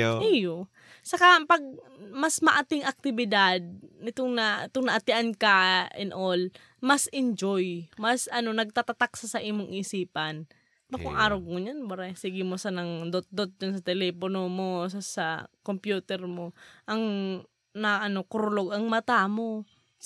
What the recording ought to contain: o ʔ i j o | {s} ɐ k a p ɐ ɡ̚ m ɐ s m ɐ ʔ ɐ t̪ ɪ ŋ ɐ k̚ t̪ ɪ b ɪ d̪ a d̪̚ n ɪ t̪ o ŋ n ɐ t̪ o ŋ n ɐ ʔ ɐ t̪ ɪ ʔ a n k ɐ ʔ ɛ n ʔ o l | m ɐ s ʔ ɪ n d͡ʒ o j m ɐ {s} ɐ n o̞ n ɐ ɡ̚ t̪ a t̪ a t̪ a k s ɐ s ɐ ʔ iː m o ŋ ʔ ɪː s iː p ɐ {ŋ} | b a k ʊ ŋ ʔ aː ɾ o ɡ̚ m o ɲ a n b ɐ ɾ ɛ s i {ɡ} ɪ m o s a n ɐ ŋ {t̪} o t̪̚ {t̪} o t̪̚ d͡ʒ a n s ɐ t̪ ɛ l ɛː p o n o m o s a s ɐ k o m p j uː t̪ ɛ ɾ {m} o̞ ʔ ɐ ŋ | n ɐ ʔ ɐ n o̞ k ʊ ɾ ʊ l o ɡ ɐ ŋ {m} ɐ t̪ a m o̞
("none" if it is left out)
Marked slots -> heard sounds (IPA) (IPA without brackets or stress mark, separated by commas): s, s, n, ɡ, d̪, d̪, m, m